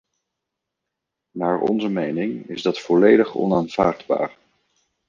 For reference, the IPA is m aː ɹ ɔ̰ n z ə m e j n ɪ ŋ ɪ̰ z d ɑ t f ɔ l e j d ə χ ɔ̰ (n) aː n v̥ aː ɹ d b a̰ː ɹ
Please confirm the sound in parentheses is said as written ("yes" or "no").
yes